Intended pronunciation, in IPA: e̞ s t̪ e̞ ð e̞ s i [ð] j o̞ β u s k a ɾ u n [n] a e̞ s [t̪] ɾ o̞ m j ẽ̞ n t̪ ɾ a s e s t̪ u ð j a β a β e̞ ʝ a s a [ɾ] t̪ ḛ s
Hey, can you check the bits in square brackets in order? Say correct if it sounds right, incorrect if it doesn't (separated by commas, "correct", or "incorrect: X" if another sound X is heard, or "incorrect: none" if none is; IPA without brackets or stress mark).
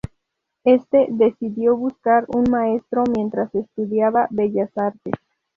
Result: correct, incorrect: m, correct, correct